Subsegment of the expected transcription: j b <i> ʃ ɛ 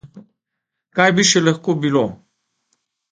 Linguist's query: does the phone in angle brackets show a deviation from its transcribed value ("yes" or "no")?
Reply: no